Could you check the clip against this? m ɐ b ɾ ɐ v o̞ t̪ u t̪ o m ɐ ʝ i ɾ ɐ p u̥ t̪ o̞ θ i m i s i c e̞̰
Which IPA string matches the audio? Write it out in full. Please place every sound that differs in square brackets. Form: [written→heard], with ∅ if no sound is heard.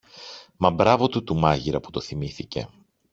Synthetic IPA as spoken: m ɐ b ɾ ɐ v o̞ t̪ u t̪ [o→u] m ɐ ʝ i ɾ ɐ p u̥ t̪ o̞ θ i m i [s→θ] i c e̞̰